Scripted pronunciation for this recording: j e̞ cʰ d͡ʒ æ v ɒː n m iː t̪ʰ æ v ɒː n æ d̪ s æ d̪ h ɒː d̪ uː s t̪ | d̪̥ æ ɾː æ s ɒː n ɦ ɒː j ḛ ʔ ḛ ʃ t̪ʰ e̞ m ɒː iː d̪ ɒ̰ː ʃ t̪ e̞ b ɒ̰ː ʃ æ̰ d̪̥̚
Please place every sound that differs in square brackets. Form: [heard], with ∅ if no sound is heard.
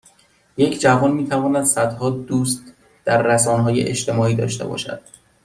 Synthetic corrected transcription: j e̞ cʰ d͡ʒ æ v ɒː n m iː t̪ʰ æ v ɒː n æ d̪ s æ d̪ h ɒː d̪ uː s t̪ | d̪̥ æ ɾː æ s ɒː n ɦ ɒː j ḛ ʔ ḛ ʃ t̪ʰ e̞ m ɒː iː d̪ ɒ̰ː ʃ t̪ e̞ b ɒ̰ː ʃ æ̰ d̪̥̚

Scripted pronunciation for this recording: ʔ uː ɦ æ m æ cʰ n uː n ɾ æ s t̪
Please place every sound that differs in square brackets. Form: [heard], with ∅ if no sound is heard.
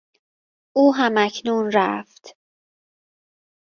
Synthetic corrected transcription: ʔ uː ɦ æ m æ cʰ n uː n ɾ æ [f] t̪

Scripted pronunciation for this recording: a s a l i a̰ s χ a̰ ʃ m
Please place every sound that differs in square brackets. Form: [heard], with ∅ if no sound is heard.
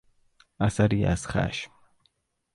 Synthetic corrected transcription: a s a [ɾ] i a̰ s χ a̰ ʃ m

